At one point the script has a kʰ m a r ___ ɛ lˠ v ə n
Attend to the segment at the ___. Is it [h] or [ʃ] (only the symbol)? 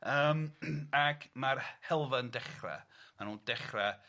h